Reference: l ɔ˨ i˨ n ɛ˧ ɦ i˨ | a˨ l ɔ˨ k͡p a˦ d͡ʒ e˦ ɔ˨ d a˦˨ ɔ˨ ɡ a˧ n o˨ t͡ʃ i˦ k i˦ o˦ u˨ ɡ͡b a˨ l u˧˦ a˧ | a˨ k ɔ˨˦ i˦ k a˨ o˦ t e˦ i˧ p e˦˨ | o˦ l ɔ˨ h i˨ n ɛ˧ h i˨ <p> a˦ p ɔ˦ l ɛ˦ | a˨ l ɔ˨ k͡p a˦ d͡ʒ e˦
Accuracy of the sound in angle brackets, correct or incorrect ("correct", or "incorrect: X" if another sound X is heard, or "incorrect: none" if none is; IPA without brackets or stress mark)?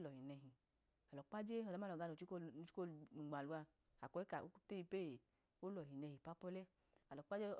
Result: correct